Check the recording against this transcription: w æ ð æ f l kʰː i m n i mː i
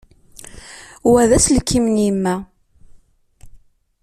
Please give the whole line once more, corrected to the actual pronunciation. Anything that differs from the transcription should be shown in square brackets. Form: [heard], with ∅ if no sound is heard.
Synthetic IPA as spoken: w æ ð æ [s] l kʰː i m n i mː [æ]